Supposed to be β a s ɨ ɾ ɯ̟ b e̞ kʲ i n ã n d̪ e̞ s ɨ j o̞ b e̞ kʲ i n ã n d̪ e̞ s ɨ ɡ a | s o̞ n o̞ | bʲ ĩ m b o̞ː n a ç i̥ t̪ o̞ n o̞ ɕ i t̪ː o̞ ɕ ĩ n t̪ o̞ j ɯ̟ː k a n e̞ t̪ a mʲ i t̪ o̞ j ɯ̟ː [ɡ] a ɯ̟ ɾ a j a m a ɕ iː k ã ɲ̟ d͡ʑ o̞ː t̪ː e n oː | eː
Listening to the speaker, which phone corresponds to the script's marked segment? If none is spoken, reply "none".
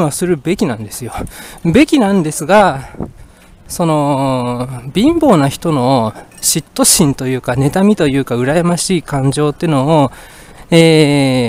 k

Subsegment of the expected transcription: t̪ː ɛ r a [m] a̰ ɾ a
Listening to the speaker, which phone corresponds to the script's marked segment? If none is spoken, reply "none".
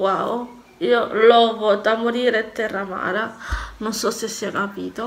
m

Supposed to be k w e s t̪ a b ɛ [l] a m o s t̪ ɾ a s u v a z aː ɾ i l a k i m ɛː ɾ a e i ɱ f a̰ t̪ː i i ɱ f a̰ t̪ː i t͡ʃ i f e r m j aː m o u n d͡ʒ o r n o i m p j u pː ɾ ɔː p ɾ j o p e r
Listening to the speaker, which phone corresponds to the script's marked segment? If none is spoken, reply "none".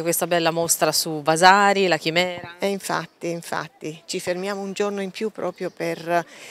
lː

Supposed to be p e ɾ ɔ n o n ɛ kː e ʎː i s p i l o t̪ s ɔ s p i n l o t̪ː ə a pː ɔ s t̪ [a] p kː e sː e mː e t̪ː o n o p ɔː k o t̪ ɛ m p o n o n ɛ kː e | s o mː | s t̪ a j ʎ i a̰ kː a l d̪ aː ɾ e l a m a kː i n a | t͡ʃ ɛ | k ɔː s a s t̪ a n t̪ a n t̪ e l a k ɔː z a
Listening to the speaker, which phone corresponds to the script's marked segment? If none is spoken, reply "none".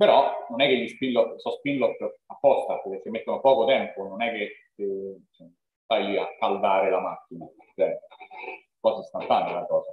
a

